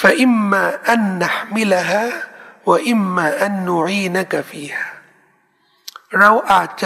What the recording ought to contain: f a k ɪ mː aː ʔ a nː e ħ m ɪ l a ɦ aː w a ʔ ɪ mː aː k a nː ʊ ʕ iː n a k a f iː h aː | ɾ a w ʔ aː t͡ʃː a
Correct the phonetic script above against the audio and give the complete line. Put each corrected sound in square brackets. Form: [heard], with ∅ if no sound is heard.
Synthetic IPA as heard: f a [ʔ] ɪ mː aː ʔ a nː [a] ħ m ɪ l a ɦ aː w a ʔ ɪ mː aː [ʔ] a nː ʊ ʕ iː n a k a f iː h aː | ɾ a w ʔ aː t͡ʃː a